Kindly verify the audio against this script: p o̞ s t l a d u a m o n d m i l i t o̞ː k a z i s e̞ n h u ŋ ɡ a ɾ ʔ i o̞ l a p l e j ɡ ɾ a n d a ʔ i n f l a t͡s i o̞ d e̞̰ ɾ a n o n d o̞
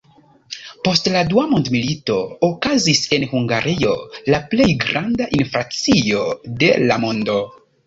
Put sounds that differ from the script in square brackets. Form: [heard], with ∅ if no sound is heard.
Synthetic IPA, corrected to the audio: p o̞ s t l a d u a m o n d m i l i t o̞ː k a z i s e̞ n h u ŋ ɡ a ɾ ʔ i o̞ l a p l e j ɡ ɾ a n d a ʔ i n f [ɾ] a t͡s i o̞ d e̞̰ [l] a [m] o n d o̞